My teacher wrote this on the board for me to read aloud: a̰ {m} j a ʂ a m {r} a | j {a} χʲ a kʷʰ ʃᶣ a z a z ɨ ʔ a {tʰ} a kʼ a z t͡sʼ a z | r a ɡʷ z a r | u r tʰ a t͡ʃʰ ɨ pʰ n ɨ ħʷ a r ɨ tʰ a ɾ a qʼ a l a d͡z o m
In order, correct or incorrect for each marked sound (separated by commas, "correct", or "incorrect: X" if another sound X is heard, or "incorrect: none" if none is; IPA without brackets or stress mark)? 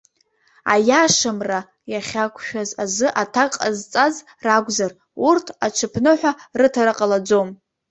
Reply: incorrect: none, correct, correct, correct